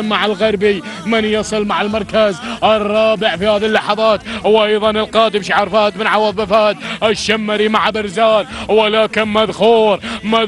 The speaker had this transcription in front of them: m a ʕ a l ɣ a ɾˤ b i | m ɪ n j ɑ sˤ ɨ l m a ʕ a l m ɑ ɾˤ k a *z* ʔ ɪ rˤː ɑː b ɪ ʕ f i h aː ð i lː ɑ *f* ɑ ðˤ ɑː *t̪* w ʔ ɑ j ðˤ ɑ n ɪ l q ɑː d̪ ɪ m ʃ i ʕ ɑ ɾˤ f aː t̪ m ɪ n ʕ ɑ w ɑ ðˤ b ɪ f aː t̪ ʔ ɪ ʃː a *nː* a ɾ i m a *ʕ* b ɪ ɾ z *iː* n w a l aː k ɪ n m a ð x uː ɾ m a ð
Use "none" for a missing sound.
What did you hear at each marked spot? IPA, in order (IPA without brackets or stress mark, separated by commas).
z, ħ, t̪, mː, ʕ, aː